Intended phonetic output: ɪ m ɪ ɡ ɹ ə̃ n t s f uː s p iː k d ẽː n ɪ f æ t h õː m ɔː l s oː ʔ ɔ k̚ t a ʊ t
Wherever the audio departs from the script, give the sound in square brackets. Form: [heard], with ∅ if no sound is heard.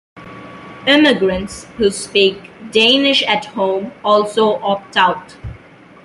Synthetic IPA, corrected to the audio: ɪ m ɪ ɡ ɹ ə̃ n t s [h] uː s p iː k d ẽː n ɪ [ʃ] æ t h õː m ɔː l s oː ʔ ɔ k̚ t a ʊ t

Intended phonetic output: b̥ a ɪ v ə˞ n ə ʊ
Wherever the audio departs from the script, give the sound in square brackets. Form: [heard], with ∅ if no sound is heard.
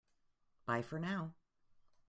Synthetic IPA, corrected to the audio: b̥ a ɪ [f] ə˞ n [a] ʊ

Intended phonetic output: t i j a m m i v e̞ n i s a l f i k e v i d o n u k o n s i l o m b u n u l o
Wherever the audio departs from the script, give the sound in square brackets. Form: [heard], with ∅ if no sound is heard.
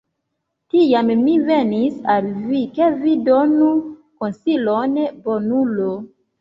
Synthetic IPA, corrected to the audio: t i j a m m i v e̞ n i s a l [v] i k e v i d o n u k o n s i l o [n] b [o] n u l o

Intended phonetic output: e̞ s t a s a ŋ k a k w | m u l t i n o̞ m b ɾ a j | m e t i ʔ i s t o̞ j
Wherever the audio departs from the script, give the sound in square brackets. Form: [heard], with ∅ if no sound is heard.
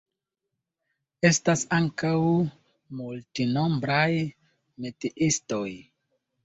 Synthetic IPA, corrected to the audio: e̞ s t a s a ŋ k a [∅] w | m u l t i n o̞ m b ɾ a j | m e t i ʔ i s t o̞ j

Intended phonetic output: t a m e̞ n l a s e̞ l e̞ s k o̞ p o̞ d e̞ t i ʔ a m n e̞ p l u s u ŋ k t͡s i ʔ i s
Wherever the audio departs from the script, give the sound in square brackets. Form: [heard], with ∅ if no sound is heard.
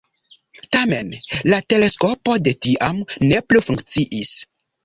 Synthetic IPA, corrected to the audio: t a m e̞ n l a [t] e̞ l e̞ s k o̞ p o̞ d e̞ t i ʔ a m n e̞ p l u [f] u ŋ k t͡s i ʔ i s

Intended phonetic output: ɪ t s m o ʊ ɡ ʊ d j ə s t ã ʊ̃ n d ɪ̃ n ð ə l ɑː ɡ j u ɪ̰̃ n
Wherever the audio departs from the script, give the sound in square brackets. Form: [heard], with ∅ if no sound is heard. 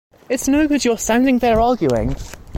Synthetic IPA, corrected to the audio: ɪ t s [n] o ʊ ɡ ʊ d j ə s t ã ʊ̃ n d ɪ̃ [ŋ] ð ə [ɹ] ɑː ɡ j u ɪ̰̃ [ŋ]

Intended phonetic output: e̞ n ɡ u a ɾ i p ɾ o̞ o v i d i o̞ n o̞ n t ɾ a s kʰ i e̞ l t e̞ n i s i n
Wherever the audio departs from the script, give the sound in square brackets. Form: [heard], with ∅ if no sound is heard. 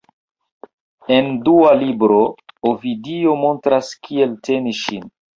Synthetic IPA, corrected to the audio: e̞ n [d] u a [l] i [b] ɾ o̞ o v i d i o̞ [m] o̞ n t ɾ a s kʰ i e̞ l t e̞ n i [ʃ] i n

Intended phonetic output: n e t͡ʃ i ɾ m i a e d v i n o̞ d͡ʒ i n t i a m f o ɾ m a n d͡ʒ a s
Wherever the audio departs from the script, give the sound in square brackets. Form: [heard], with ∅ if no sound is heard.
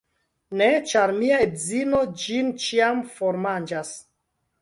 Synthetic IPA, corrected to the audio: n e t͡ʃ [a] ɾ m i a e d [z] i n o̞ d͡ʒ i n [t͡ʃ] i a m f o ɾ m a n d͡ʒ a s

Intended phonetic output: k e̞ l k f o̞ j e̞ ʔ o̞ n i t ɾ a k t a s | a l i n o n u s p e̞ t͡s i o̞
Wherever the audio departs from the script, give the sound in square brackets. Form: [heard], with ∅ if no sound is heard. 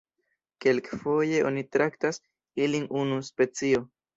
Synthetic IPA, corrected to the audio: k e̞ l k f o̞ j e̞ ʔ o̞ n i t ɾ a k t a s | [i] l i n [u] n u s p e̞ t͡s i o̞

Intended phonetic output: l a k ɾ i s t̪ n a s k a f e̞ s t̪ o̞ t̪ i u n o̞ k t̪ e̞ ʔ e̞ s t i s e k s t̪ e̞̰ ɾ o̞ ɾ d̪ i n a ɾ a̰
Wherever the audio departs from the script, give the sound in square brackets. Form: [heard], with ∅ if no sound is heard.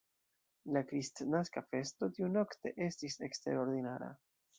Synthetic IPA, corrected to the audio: l a k ɾ i s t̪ n a s k a f e̞ s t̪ o̞ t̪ i u n o̞ k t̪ e̞ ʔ e̞ s t i s e k s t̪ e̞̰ ɾ o̞ ɾ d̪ i n a ɾ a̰

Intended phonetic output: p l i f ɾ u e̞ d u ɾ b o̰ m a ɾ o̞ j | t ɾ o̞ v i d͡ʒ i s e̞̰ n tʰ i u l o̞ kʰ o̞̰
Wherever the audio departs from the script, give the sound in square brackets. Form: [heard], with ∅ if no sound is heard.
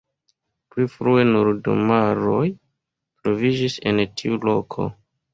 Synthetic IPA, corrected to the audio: p l i f ɾ u e̞ [n] u ɾ [d] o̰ m a ɾ o̞ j | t ɾ o̞ v i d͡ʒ i s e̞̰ n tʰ i u l o̞ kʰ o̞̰

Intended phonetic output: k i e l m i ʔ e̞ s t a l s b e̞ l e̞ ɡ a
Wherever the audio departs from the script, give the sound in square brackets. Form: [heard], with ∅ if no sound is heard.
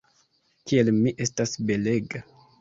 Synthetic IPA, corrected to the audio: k i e l m i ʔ e̞ s t a [∅] s b e̞ l e̞ ɡ a

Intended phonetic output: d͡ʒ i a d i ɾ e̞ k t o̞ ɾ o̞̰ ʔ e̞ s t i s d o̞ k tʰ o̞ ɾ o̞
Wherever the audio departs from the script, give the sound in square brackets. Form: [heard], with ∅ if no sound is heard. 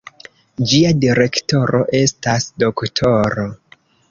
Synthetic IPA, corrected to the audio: d͡ʒ i a d i ɾ e̞ k t o̞ ɾ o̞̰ ʔ e̞ s t [a] s d o̞ k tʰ o̞ ɾ o̞

